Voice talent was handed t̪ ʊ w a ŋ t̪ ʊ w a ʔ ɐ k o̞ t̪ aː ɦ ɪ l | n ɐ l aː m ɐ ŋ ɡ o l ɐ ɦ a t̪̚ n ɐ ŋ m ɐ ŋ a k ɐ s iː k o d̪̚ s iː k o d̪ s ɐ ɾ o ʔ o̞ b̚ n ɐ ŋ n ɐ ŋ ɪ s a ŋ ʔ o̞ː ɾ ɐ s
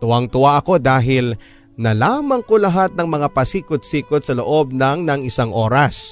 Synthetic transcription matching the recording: t̪ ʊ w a ŋ t̪ ʊ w a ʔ ɐ k o̞ d̪ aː ɦ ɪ l | n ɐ l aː m ɐ ŋ k o l ɐ ɦ a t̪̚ n ɐ ŋ m ɐ ŋ a p ɐ s iː k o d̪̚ s iː k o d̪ s ɐ l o ʔ o̞ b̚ n ɐ ŋ n ɐ ŋ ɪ s a ŋ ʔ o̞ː ɾ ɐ s